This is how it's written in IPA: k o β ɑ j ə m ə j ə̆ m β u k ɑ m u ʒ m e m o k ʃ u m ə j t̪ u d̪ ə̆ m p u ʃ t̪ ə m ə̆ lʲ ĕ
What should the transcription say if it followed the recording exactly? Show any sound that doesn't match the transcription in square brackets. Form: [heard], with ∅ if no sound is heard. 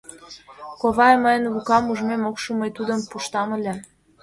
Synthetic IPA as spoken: k o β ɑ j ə m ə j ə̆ [n] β u k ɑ m u ʒ m e m o k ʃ u m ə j t̪ u d̪ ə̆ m p u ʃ t̪ [ɑ] m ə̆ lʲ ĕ

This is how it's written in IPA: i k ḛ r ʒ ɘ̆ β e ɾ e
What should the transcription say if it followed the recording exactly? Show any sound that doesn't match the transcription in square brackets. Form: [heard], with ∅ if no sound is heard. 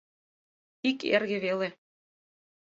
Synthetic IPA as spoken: i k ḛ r [ɣ] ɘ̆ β e [l] e

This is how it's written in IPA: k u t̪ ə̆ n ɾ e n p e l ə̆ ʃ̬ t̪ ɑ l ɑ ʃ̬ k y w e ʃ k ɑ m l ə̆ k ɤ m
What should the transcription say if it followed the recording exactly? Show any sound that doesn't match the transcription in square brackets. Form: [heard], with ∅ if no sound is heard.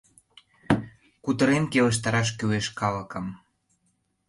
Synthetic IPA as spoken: k u t̪ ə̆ [∅] ɾ e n [k] e l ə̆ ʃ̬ t̪ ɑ [ɾ] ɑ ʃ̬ k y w e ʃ k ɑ [∅] l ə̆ k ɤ m

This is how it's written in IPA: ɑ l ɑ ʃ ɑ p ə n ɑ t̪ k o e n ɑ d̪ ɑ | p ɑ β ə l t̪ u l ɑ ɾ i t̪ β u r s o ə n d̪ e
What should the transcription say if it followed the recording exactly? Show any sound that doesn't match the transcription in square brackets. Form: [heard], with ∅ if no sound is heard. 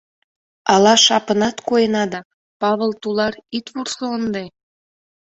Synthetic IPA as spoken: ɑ l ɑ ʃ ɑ p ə n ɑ t̪ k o e n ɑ d̪ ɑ | p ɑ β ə l t̪ u l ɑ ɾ i t̪ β u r s o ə n d̪ e

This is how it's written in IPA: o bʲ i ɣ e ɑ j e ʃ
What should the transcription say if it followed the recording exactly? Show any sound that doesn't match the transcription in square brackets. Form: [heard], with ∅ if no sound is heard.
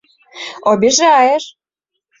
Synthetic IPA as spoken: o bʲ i [ʒ] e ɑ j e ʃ

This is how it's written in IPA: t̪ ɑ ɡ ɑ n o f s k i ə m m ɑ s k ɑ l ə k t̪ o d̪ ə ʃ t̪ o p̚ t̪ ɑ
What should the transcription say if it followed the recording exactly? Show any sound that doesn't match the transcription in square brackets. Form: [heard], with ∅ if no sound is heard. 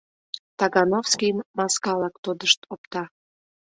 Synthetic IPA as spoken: t̪ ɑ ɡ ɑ n o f s k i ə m m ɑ s k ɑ l [ɑ] k t̪ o d̪ ə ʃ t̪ o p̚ t̪ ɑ

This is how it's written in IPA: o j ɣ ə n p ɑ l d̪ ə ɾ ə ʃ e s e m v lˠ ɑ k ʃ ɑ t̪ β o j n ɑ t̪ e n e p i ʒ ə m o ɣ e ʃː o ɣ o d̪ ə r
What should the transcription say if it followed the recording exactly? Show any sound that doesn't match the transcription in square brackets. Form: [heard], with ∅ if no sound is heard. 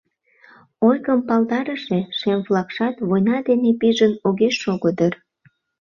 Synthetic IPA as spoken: o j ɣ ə [m] p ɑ l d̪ [ɑ] ɾ ə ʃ e [ʃ] e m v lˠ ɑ k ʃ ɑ t̪ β o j n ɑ [d̪] e n e p i ʒ ə [n] o ɣ e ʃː o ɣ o d̪ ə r

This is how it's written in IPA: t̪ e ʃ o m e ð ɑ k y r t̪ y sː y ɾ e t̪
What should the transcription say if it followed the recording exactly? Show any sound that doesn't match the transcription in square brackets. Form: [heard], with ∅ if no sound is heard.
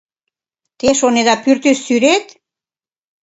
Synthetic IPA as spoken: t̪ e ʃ o [n] e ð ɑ [p] y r t̪ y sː y ɾ e t̪

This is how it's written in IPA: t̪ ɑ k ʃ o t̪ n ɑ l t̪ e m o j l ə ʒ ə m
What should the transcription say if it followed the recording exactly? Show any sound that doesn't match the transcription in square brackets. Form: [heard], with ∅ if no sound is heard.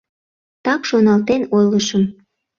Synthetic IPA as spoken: t̪ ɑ k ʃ o [∅] n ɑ l t̪ e [n] o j l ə [ʃ] ə m

